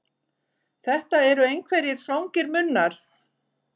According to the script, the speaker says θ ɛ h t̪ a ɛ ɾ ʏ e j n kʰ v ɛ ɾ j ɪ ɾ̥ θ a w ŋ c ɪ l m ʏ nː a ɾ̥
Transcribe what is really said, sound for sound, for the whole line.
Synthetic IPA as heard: θ ɛ h t̪ a ɛ ɾ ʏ e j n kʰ v ɛ ɾ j ɪ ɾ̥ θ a w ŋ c ɪ ɾ m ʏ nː a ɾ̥